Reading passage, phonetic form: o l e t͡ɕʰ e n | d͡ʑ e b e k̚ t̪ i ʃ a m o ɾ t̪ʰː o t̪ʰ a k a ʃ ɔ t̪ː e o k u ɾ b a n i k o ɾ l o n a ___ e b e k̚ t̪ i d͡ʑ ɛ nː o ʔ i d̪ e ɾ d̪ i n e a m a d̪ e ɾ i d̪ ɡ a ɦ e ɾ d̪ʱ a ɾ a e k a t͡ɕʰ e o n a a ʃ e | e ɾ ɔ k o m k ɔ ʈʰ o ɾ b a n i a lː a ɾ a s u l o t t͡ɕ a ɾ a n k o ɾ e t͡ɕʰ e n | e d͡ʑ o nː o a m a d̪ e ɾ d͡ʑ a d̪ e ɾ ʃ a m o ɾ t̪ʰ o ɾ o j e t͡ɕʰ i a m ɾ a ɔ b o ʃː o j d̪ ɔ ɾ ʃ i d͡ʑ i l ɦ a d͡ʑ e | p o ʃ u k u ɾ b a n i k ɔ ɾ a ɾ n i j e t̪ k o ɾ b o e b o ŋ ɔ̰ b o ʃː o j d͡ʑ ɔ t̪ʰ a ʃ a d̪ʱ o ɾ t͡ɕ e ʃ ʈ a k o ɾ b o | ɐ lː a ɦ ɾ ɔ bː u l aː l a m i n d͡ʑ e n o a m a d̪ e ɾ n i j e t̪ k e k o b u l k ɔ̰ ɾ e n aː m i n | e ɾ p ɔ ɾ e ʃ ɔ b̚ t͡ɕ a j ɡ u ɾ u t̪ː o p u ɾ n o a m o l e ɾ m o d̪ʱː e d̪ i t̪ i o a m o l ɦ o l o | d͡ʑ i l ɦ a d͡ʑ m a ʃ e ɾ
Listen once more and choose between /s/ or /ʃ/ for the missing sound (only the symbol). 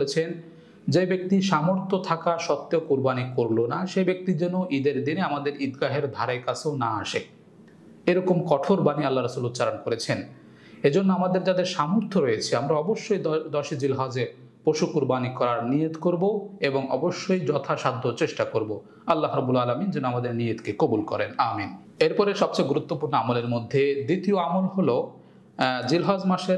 ʃ